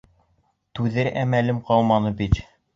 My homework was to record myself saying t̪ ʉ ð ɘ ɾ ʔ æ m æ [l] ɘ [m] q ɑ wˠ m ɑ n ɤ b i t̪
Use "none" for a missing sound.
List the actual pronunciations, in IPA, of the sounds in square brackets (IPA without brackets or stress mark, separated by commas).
l, m